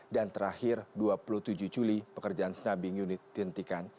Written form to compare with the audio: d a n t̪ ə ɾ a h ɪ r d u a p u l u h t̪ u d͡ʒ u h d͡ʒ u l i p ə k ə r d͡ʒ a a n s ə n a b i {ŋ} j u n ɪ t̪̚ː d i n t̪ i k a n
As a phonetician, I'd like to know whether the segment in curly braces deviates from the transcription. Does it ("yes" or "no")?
no